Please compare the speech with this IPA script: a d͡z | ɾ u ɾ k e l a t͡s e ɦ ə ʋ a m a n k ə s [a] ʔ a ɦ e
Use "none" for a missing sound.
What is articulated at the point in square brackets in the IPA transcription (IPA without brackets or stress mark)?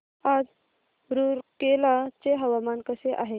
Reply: e